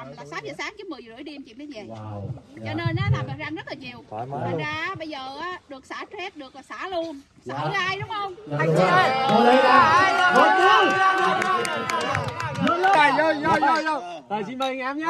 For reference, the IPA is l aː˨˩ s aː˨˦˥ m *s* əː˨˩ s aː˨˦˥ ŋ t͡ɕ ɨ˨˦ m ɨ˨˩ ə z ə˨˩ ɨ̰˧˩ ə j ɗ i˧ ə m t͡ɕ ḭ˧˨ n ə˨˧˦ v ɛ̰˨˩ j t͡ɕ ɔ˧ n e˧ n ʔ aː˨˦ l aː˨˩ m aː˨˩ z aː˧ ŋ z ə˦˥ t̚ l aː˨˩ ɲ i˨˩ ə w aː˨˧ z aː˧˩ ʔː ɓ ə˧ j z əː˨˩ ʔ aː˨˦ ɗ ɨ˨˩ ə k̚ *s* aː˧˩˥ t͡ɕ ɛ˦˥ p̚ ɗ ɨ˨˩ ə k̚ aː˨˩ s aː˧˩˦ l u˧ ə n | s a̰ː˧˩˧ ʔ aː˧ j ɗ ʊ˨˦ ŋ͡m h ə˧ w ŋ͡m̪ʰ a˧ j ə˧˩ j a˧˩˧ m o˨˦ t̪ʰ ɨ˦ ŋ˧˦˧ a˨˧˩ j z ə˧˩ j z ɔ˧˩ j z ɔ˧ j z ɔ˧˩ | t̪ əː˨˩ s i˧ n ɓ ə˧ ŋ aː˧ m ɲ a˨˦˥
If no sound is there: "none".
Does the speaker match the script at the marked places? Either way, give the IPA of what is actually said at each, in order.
z, s

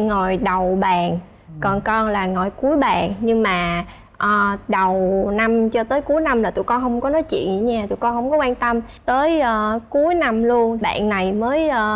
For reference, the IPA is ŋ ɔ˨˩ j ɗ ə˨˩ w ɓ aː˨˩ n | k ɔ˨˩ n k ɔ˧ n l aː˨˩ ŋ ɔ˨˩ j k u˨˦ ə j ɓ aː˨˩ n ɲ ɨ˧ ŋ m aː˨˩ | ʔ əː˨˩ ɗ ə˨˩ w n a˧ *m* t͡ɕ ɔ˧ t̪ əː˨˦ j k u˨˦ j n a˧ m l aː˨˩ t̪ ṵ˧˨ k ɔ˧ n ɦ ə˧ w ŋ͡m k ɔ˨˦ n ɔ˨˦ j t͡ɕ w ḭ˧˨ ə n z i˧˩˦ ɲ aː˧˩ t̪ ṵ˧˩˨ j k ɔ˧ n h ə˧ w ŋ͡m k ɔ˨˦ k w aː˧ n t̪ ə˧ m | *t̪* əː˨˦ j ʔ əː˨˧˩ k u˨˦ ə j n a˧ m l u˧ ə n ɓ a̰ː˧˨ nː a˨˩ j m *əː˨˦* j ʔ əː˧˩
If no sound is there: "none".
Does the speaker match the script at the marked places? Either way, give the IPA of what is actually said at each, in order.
m, t̪, əː˨˦

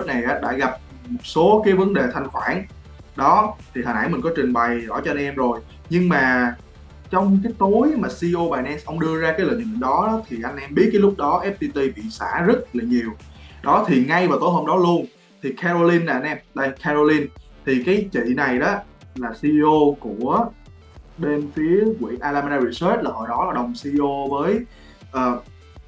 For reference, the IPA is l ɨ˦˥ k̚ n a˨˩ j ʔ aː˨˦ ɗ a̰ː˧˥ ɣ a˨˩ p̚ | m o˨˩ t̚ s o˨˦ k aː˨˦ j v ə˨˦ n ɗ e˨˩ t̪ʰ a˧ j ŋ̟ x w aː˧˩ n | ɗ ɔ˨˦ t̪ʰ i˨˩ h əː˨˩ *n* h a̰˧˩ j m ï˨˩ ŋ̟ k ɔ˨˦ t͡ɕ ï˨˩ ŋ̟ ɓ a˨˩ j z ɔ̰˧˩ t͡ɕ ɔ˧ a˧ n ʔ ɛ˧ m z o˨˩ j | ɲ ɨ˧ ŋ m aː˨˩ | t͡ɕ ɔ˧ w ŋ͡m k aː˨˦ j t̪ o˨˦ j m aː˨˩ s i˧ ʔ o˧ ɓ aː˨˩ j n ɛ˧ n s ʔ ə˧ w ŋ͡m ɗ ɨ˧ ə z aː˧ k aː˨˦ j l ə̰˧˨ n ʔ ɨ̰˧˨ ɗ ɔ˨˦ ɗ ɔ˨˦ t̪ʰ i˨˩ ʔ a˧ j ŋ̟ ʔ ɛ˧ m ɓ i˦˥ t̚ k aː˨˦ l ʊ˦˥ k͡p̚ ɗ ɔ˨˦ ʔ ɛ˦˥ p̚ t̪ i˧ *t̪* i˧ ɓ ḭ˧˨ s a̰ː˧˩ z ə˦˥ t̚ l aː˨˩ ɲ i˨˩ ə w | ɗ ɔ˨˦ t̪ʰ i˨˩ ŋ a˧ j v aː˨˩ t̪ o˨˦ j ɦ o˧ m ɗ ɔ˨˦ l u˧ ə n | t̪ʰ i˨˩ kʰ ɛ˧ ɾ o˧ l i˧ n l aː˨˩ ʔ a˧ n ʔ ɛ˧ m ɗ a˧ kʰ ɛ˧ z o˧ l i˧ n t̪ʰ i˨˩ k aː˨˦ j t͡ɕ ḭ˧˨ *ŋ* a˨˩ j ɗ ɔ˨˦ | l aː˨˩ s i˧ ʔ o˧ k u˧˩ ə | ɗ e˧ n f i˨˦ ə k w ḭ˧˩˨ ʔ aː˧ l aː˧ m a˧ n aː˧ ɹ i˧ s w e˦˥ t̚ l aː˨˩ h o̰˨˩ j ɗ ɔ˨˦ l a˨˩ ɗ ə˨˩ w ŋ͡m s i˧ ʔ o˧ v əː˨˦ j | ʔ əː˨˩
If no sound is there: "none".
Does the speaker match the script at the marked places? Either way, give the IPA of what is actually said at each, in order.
n, t̪, n

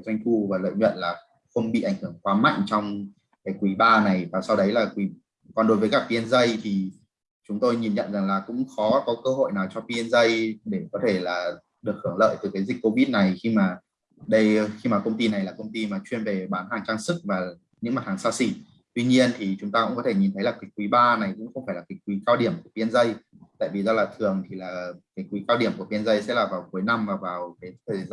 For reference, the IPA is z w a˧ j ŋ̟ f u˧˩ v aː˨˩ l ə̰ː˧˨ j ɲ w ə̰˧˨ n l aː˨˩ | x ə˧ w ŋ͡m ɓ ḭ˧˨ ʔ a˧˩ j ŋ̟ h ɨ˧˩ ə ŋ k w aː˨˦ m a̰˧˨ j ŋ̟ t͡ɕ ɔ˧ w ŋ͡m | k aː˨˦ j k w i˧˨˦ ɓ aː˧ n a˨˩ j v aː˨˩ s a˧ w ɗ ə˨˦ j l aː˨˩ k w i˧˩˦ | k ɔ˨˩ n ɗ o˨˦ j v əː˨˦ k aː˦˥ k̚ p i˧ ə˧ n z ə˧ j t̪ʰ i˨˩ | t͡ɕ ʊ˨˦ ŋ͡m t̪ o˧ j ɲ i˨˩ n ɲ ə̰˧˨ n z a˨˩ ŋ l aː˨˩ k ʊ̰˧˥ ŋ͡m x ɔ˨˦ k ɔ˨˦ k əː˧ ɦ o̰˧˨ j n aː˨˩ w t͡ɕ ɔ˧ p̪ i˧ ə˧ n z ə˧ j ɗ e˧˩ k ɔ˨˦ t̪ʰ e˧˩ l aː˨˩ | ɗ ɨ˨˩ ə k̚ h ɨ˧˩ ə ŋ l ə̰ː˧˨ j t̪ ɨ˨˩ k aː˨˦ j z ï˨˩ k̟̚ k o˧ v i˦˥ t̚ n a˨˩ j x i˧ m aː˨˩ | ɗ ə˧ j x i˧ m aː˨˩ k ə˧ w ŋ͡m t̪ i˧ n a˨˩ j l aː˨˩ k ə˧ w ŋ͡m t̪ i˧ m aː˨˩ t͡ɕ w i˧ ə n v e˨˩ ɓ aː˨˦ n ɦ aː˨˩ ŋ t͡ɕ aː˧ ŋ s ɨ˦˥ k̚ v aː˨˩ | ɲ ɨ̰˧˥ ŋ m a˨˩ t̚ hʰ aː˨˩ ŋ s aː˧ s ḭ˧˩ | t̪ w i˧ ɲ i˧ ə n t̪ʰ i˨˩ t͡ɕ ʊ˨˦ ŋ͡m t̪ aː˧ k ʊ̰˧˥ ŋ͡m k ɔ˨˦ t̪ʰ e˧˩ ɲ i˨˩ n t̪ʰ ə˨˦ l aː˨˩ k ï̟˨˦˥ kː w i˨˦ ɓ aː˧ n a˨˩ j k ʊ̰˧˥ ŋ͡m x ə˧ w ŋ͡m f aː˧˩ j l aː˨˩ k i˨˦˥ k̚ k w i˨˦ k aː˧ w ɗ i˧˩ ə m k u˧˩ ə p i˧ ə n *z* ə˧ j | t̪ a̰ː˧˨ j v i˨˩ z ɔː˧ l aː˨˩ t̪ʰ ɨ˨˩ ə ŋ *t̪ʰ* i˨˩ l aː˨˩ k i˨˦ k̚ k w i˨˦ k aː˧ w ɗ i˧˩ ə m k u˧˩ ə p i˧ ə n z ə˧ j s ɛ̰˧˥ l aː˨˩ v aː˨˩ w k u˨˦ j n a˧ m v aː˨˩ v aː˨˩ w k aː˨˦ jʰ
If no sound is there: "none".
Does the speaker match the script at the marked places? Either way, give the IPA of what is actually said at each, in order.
z, t̪ʰ

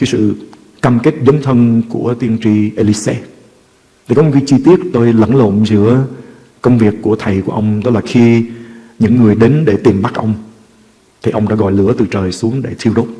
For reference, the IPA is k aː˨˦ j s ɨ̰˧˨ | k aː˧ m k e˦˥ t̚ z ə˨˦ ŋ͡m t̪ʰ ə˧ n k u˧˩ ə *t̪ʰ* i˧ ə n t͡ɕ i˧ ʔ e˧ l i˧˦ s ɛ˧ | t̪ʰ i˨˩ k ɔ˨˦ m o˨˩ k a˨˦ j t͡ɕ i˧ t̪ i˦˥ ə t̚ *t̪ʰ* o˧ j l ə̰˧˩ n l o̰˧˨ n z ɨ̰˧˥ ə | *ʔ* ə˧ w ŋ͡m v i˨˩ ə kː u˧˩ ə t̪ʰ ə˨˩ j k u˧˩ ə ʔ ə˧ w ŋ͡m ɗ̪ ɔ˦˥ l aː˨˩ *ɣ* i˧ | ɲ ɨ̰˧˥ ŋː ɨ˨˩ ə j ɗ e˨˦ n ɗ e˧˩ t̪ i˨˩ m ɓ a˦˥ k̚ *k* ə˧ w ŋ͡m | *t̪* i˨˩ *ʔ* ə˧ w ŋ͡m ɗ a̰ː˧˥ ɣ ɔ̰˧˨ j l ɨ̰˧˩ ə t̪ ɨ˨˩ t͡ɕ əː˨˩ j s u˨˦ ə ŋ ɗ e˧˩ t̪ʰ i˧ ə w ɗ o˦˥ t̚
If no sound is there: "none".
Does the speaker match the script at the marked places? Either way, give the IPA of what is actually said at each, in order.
t̪, t̪, k, x, ʔ, t̪ʰ, ʔ

